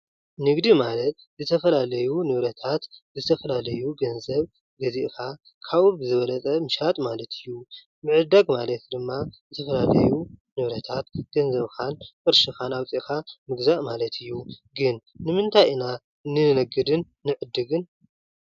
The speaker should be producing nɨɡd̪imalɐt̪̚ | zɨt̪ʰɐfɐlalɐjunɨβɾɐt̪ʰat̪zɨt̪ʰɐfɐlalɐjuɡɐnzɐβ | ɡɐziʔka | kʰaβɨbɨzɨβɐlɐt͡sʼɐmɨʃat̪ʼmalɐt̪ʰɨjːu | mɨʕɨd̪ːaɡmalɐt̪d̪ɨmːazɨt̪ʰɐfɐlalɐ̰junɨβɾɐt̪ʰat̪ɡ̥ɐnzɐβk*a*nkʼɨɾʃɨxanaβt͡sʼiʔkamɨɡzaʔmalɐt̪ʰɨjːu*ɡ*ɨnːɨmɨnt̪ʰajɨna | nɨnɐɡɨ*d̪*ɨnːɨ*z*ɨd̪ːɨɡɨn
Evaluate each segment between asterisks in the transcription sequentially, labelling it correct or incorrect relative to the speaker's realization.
correct, correct, correct, incorrect: ʕ

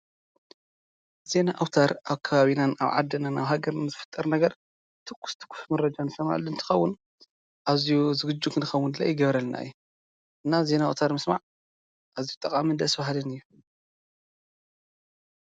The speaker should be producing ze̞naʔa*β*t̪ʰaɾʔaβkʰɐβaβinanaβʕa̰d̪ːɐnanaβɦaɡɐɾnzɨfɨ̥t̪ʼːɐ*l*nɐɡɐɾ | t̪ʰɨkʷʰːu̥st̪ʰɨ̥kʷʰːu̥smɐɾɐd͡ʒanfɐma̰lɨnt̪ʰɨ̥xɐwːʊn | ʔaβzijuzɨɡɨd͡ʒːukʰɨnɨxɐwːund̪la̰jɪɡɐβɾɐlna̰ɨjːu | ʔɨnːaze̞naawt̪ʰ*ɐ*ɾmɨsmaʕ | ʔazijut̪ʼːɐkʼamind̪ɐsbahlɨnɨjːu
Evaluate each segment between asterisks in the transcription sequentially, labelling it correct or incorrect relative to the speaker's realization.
incorrect: w, incorrect: ɾ, incorrect: a

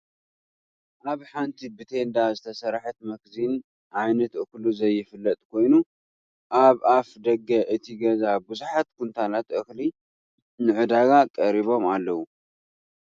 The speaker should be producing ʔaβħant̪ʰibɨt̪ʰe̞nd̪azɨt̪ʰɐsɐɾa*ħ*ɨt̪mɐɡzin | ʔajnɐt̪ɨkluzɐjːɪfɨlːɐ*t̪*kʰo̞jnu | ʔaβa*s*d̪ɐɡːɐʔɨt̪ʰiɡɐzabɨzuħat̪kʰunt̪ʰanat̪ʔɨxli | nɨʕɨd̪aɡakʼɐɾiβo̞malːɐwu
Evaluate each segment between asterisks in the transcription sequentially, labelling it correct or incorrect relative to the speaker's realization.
correct, incorrect: t̪ʼ, incorrect: f

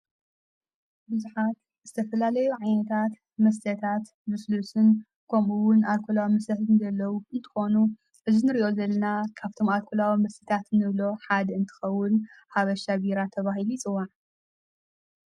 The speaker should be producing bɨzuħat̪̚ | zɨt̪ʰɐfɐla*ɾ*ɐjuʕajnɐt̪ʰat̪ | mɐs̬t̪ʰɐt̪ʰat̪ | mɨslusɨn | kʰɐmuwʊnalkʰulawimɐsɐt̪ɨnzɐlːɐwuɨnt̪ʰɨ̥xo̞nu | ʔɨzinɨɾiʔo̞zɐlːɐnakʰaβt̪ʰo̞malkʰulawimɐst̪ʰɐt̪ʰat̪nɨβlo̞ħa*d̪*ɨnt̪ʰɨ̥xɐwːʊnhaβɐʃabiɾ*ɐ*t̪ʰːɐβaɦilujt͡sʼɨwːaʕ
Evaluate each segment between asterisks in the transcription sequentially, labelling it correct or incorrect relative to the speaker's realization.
incorrect: l, correct, incorrect: a

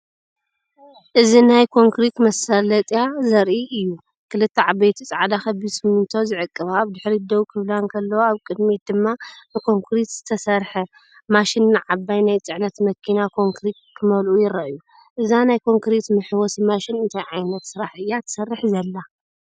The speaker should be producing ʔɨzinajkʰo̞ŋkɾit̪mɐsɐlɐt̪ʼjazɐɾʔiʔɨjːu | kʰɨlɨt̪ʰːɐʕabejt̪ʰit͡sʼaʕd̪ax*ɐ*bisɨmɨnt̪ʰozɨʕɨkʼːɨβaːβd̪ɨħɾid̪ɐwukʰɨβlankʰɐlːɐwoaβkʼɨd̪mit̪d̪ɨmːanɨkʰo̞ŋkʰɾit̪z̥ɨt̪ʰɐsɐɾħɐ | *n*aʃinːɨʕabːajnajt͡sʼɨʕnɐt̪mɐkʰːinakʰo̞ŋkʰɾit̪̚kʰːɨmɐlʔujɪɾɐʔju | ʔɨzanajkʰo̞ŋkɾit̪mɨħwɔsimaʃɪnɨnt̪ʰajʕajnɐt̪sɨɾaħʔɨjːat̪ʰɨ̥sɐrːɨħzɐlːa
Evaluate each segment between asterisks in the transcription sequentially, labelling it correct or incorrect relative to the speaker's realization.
correct, incorrect: m

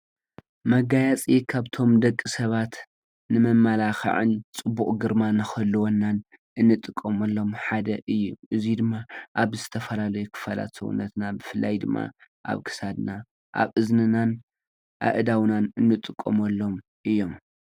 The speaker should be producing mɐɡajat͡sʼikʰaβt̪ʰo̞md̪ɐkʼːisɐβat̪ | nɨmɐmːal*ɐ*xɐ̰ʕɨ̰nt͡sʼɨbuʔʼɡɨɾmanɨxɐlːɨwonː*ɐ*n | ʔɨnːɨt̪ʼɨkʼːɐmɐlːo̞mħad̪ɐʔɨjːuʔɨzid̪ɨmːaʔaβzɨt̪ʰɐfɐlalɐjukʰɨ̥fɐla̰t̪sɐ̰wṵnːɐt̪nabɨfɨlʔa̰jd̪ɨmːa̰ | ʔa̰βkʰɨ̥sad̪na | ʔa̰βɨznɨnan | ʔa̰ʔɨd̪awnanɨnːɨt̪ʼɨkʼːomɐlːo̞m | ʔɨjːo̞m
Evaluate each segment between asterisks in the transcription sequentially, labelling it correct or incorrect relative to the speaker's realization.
incorrect: a, incorrect: a

